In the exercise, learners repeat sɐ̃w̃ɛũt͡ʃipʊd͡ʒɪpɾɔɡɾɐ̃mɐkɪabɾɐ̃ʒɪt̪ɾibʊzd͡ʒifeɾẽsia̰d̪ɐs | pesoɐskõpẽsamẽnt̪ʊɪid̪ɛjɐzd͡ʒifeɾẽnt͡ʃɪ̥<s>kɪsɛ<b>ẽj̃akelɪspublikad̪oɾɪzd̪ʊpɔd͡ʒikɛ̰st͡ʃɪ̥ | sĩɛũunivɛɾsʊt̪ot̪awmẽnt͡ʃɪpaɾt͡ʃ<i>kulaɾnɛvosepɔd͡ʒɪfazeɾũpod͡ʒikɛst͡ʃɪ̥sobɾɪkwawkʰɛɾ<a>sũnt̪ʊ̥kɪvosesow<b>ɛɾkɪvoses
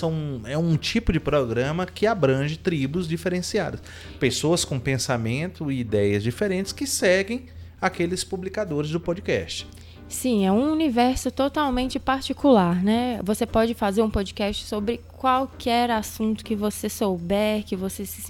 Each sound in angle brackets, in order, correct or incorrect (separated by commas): correct, incorrect, correct, correct, correct